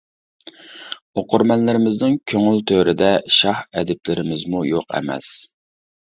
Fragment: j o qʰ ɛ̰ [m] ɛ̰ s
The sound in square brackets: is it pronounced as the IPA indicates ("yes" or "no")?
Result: yes